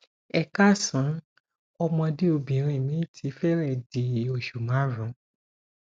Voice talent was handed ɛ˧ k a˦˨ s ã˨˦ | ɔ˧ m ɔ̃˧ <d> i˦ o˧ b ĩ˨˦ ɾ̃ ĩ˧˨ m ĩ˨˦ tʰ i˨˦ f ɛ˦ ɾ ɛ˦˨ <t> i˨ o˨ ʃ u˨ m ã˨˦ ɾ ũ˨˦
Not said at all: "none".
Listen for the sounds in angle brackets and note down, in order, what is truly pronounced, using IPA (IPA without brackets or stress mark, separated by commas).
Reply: d, d